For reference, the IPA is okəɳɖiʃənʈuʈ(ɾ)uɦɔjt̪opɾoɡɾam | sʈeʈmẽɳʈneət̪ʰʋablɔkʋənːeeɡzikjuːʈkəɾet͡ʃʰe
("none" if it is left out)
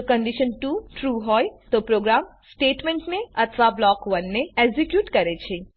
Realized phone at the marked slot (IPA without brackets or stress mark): ɾ